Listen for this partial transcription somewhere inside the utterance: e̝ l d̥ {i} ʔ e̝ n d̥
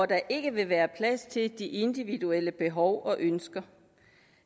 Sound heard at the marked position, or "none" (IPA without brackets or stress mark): i